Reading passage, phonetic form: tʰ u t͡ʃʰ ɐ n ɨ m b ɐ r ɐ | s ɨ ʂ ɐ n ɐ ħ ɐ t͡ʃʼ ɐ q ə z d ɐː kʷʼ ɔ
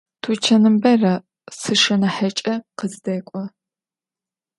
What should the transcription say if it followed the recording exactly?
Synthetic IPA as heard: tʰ u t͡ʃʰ ɐ n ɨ m b ɐ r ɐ | s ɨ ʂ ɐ n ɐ ħ ɐ t͡ʃʼ ɐ q ə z d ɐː kʷʼ ɔ